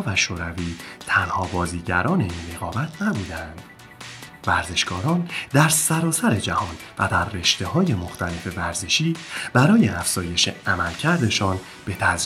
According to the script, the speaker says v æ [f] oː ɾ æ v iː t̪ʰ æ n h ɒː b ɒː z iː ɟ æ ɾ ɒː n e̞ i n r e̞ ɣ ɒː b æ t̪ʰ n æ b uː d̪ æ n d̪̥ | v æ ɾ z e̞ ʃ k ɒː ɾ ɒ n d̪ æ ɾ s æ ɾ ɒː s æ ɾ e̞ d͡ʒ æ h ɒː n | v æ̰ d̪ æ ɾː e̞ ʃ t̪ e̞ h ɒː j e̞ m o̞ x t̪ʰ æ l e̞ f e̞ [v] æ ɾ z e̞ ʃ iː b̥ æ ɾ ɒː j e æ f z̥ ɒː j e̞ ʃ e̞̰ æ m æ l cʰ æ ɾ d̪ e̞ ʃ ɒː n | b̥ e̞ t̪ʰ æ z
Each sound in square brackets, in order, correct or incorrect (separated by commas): incorrect, correct